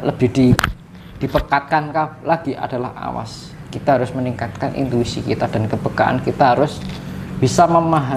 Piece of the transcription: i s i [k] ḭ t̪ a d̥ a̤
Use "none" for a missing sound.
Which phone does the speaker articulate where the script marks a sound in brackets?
k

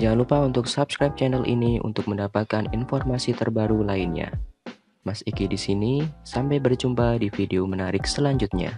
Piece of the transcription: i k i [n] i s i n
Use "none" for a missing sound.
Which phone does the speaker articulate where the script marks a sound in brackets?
d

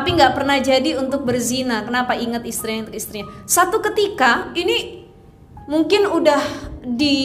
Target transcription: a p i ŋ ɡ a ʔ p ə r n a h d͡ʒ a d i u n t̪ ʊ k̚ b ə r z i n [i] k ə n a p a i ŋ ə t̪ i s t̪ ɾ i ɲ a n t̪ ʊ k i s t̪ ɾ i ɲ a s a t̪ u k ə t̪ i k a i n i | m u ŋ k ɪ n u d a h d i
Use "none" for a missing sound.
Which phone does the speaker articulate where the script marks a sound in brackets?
a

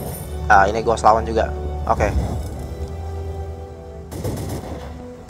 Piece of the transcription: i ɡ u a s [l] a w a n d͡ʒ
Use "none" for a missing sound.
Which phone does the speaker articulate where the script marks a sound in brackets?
l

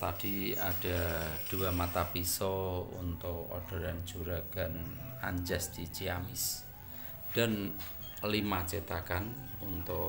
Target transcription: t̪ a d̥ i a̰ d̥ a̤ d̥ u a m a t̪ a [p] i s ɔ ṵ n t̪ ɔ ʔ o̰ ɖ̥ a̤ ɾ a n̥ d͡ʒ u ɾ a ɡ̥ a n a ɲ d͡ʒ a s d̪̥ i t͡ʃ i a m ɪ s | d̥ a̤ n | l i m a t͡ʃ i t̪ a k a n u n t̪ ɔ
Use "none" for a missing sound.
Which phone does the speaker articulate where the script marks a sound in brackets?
p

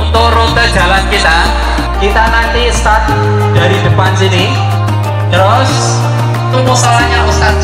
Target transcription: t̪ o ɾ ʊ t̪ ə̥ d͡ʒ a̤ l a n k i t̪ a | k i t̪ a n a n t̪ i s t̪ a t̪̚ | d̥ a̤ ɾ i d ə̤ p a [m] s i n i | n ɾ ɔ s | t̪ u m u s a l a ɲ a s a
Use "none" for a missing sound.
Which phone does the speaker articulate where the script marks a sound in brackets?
n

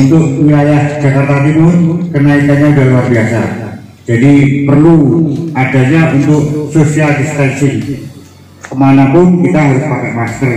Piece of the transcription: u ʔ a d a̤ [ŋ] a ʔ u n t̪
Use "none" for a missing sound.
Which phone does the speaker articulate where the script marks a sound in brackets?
ɲ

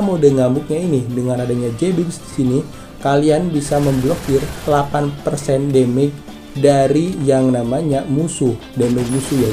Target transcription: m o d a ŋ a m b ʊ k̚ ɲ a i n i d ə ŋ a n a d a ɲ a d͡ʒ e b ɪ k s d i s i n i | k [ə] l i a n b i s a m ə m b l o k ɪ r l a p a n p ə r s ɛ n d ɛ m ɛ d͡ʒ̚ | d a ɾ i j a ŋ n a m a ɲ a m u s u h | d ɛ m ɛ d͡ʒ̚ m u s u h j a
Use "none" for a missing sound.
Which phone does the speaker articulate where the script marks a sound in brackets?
a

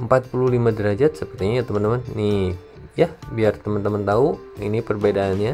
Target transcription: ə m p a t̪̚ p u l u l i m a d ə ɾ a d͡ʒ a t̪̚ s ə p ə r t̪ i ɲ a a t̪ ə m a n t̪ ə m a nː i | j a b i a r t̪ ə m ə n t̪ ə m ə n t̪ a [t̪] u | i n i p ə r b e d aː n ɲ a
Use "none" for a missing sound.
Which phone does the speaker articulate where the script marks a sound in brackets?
none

